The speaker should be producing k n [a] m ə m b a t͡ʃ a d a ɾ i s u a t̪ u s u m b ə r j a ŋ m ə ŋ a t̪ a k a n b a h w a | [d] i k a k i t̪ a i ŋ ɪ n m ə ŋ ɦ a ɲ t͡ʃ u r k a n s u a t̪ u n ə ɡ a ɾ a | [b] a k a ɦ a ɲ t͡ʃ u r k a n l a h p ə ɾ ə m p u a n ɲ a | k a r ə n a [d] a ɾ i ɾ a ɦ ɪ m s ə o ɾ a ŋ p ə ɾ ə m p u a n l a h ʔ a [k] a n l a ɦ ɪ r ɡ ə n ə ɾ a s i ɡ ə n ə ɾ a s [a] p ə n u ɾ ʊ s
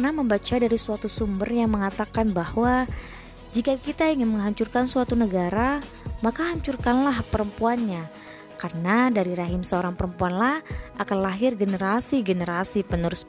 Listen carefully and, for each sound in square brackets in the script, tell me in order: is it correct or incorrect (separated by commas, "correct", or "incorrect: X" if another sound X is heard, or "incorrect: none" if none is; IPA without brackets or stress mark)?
correct, incorrect: d͡ʒ, incorrect: m, correct, correct, incorrect: i